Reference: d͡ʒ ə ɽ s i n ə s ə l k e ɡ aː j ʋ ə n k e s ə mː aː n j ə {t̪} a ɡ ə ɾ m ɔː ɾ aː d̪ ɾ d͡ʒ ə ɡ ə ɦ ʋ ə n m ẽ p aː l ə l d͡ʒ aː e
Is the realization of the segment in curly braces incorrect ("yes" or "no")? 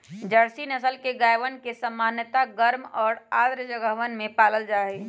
no